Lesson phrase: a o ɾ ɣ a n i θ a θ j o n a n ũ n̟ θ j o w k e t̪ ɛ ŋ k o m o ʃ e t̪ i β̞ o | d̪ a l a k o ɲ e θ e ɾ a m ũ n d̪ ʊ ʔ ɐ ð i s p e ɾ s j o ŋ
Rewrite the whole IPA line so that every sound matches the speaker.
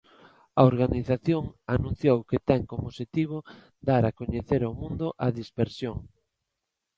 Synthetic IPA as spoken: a o ɾ ɣ a n i θ a θ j o ŋ a n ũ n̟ θ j o w k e t̪ ɛ ŋ k o m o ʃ e t̪ i β̞ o | d̪ a ɾ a k o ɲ e θ e ɾ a m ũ n d̪ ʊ ʔ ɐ ð i s p e ɾ s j o ŋ

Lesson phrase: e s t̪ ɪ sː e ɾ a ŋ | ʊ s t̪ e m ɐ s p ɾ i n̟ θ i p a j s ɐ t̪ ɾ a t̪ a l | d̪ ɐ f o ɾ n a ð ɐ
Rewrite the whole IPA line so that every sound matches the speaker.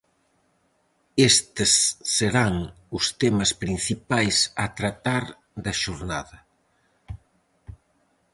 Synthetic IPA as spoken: e s t̪ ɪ sː e ɾ a ŋ | ʊ s t̪ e m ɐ s p ɾ i n̟ θ i p a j s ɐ t̪ ɾ a t̪ a ɾ | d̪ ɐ ʃ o ɾ n a ð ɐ

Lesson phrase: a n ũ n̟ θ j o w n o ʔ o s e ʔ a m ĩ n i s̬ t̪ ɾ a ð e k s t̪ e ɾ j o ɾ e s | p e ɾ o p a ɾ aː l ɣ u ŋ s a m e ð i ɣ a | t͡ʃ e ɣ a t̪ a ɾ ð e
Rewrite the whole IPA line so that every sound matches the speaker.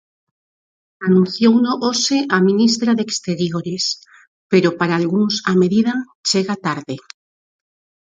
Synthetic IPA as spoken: a n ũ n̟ θ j o w n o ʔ o s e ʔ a m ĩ n i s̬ t̪ ɾ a ð e k s t̪ e ɾ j o ɾ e s | p e ɾ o p a ɾ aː l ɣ u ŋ s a m e ð i ð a | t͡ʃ e ɣ a t̪ a ɾ ð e

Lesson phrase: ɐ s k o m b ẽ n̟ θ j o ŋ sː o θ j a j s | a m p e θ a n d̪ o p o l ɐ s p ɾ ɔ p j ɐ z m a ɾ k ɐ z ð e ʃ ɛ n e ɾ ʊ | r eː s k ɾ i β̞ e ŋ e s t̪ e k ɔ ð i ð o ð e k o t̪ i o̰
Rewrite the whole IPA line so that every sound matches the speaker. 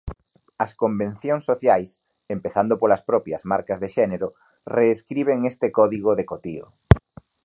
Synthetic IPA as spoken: ɐ s k o m b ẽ n̟ θ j o ŋ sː o θ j a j s | e m p e θ a n d̪ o p o l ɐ s p ɾ ɔ p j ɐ z m a ɾ k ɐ z ð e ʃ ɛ n e ɾ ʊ | r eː s k ɾ i β̞ e ŋ e s t̪ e k ɔ ð i ɣ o ð e k o t̪ i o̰

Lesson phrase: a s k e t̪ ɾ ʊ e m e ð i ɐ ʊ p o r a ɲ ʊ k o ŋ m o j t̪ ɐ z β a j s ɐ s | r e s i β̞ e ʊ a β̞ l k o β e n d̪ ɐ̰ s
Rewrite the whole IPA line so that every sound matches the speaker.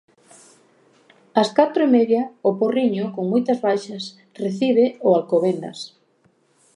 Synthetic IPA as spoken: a s k a t̪ ɾ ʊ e m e ð j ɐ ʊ p o r i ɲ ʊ k o ŋ m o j t̪ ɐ z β a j ʃ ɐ s | r e θ i β̞ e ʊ a l k o β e n d̪ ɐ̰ s

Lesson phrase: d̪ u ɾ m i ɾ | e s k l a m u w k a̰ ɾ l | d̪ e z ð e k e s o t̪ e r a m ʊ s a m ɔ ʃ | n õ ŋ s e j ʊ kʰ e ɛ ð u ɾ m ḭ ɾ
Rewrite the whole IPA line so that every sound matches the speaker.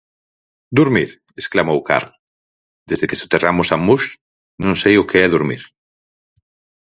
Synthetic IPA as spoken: d̪ u ɾ m i ɾ | e s k l a m o w k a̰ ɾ l | d̪ e z ð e k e s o t̪ e r a m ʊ s a m u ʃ | n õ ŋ s e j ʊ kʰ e ɛ ð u ɾ m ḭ ɾ

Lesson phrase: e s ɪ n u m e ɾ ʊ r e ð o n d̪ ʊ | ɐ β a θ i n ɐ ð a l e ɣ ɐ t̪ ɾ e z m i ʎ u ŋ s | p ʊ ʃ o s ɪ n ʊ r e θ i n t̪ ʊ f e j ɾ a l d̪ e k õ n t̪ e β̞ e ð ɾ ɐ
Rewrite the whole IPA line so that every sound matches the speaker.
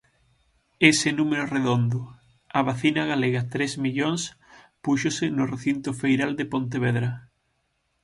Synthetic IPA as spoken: e s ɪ n u m e ɾ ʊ r e ð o n d̪ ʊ | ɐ β a θ i n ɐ ɣ a l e ɣ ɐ t̪ ɾ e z m i ʎ o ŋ s | p u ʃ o s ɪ n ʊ r e θ i n t̪ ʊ f e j ɾ a l d̪ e p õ n t̪ e β̞ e ð ɾ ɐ

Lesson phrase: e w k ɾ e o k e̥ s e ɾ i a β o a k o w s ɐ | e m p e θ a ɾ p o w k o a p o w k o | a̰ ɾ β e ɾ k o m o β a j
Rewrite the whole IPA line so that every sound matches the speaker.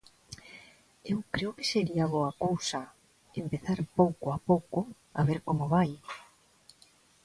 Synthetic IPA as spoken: e w k ɾ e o k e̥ s e ɾ i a β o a k o w s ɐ | e m p e θ a ɾ p o w k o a p o w k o | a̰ β e ɾ k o m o β a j

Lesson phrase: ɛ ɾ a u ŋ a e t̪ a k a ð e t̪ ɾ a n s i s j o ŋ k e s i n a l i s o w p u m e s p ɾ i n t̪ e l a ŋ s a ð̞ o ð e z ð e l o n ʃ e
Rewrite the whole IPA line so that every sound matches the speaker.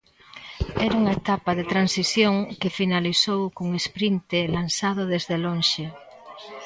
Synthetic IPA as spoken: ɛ ɾ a u ŋ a e t̪ a p a ð e t̪ ɾ a n s i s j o ŋ k e f i n a l i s o w k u ŋ e s p ɾ i n t̪ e l a n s a ð̞ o ð e z ð e l o n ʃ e

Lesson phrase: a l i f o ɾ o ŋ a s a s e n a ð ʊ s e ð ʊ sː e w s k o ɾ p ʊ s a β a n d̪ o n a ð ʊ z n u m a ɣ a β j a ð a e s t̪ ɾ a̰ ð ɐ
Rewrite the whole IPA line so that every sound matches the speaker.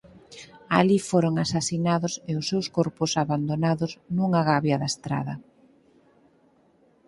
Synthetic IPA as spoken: a l i f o ɾ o ŋ a s a s i n a ð ʊ s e ʊ sː e w s k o ɾ p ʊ s a β a n d̪ o n a ð ʊ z n u ŋ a ɣ a β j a ð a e s t̪ ɾ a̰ ð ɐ

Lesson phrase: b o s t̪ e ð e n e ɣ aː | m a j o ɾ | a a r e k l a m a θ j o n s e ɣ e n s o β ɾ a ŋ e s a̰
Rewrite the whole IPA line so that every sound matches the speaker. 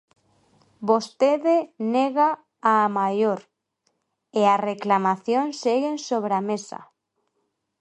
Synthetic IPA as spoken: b o s t̪ e ð e n e ɣ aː | m a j o ɾ | e a r e k l a m a θ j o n s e ɣ e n s o β ɾ a m e s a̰

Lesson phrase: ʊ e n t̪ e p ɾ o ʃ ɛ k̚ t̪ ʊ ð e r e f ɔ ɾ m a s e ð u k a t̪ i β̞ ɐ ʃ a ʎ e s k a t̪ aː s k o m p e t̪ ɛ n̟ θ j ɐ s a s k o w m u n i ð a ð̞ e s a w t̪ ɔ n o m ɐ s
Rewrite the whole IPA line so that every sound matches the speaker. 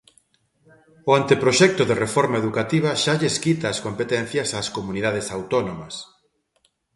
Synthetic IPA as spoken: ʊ a n t̪ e p ɾ o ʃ ɛ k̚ t̪ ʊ ð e r e f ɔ ɾ m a e ð u k a t̪ i β̞ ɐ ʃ a ʎ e s k i t̪ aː s k o m p e t̪ ɛ n̟ θ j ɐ s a s k o m u n i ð a ð̞ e s a w t̪ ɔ n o m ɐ s

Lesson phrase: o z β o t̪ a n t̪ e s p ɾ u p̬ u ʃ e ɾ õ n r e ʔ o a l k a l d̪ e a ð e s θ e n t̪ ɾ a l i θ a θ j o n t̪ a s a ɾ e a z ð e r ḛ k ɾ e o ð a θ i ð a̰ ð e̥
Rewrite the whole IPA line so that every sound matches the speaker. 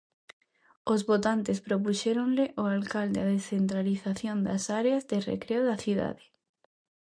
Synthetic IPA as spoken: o z β o t̪ a n t̪ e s p ɾ o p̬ u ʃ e ɾ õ n l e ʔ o a l k a l d̪ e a ð e s θ e n t̪ ɾ a l i θ a θ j o n d̪ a s a ɾ e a z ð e r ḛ k ɾ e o ð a θ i ð a̰ ð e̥

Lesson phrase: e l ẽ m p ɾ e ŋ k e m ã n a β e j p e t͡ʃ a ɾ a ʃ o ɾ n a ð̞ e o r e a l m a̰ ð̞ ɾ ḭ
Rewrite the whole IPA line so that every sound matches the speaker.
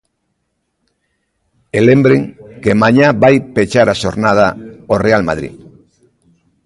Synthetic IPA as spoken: e l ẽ m b ɾ e ŋ k e m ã ɲ a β a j p e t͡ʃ a ɾ a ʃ o ɾ n a ð̞ a o r e a l m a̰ ð̞ ɾ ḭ

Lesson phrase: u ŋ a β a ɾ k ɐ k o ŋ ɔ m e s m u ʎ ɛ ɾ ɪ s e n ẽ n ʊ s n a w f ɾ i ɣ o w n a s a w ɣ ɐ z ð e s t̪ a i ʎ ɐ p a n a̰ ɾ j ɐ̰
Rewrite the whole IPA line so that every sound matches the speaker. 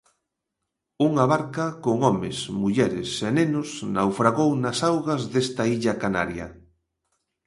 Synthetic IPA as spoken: u ŋ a β a ɾ k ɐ k o ŋ ɔ m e s m u ʎ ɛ ɾ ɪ s e n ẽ n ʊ s n a w f ɾ a ɣ o w n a s a w ɣ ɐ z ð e s t̪ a i ʎ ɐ k a n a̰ ɾ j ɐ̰

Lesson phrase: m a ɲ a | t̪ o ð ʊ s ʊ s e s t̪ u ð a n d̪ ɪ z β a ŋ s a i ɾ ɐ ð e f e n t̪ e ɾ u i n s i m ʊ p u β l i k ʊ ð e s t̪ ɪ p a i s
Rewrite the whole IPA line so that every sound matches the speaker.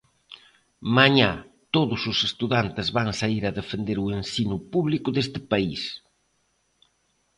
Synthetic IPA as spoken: m a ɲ a | t̪ o ð ʊ s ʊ s e s t̪ u ð a n t̪ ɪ z β a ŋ s a i ɾ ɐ ð e f e n d̪ e ɾ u e n s i n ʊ p u β l i k ʊ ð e s t̪ ɪ p a i s

